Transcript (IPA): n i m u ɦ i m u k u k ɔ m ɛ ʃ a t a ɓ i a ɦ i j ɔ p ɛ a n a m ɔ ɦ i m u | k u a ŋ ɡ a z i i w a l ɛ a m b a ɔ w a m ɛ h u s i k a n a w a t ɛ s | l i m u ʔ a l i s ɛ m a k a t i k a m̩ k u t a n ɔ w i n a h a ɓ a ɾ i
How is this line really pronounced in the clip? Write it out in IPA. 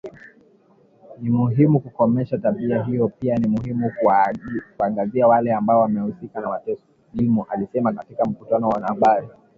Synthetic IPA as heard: n i m u ɦ i m u k u k ɔ m ɛ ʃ a t a ɓ i a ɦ i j ɔ p i a n i m u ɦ i m u | k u a ŋ ɡ a z i a w a l ɛ a m b a ɔ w a m ɛ h u s i k a n a w a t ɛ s | l i m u ʔ a l i s ɛ m a k a t i k a m̩ k u t a n ɔ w a n a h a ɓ a ɾ i